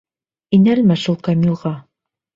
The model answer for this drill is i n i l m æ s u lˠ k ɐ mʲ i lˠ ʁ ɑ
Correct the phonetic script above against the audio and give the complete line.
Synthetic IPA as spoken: i n æ l m æ ʃ u lˠ k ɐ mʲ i lˠ ʁ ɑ